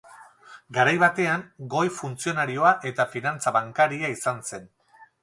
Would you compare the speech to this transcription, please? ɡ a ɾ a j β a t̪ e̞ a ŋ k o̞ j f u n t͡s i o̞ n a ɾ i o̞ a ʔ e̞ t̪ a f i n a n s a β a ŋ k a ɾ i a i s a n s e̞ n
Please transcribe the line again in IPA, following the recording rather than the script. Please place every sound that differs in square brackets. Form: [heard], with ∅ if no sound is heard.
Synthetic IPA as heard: ɡ a ɾ a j β a t̪ e̞ a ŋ [ɡ] o̞ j f u n t͡s i o̞ n a ɾ i o̞ a ʔ e̞ t̪ a f i n a n [t͡s] a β a ŋ k a ɾ i a i s a n s e̞ n